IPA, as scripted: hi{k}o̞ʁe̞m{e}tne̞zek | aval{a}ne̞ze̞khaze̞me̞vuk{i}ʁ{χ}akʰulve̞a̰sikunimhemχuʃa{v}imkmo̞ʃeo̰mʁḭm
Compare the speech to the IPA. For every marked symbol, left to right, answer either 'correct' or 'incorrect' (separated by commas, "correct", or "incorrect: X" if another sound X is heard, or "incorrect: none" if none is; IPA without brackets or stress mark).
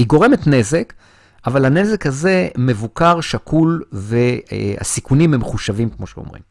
incorrect: ɡ, correct, correct, incorrect: a, incorrect: ʃ, correct